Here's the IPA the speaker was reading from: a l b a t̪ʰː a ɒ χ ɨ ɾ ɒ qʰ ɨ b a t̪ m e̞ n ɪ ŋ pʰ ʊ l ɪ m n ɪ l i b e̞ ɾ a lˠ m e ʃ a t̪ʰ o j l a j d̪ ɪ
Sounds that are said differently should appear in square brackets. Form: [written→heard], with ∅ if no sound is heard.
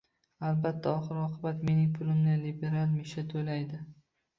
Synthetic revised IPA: a l b a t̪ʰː a ɒ χ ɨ ɾ ɒ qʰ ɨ b a t̪ m e̞ n ɪ ŋ pʰ ʊ l ɪ m n ɪ l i b e̞ ɾ a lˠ m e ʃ a t̪ʰ o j l a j d̪ ɪ